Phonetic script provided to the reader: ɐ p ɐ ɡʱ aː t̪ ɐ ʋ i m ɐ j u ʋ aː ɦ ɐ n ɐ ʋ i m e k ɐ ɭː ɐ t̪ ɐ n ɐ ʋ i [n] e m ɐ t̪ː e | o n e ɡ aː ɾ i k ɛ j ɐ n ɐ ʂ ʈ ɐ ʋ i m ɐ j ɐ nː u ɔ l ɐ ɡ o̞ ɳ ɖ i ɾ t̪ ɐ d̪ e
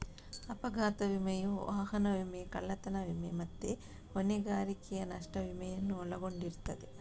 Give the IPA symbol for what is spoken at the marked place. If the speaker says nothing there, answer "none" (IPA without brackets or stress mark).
m